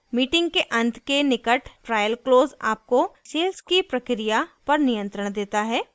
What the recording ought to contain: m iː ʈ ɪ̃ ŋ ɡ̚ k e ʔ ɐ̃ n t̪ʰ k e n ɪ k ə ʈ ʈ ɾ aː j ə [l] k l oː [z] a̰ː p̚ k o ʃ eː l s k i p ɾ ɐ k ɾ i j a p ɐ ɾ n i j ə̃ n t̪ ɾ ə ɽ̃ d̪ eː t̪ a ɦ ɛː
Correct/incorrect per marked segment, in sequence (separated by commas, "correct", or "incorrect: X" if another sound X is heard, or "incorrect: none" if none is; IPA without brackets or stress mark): correct, correct